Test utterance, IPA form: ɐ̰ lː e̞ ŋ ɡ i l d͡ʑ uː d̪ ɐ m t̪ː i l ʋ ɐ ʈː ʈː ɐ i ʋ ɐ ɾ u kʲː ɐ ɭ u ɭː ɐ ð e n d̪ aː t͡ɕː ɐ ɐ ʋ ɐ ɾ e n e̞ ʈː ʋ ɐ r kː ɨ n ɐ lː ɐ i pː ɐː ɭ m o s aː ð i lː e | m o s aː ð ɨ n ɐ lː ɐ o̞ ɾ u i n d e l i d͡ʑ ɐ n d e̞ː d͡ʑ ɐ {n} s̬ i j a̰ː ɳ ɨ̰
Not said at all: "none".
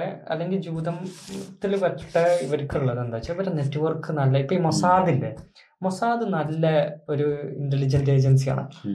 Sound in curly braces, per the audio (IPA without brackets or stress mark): n